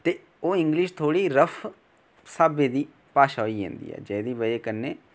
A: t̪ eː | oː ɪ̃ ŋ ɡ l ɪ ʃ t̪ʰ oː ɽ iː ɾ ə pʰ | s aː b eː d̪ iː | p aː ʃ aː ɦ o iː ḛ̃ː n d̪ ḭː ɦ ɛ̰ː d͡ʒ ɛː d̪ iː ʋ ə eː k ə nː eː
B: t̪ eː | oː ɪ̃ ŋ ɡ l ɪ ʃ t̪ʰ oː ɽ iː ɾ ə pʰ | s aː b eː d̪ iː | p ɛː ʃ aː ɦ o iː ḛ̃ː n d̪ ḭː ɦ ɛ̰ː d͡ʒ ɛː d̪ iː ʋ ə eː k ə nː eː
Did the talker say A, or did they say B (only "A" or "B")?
A